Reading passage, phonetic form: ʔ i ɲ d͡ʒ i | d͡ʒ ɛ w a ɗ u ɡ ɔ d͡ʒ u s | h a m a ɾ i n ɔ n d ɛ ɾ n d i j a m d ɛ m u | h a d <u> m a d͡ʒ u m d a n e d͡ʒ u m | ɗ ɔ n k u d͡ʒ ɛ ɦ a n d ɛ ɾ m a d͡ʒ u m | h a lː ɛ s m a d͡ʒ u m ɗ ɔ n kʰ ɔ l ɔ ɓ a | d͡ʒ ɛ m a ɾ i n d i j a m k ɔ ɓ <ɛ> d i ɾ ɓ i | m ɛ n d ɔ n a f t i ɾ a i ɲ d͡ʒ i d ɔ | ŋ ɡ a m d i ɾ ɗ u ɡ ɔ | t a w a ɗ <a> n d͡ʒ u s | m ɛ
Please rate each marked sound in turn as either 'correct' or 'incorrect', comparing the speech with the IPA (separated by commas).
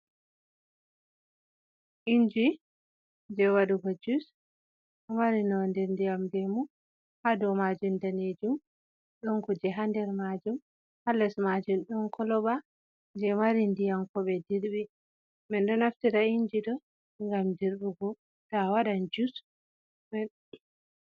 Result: incorrect, correct, correct